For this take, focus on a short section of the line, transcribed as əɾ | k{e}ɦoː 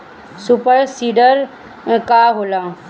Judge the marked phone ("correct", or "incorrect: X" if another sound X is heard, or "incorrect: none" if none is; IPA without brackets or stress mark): incorrect: a